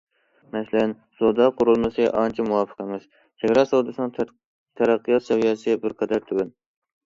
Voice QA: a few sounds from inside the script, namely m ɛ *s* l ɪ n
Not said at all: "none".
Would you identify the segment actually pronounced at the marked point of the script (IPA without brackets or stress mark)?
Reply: s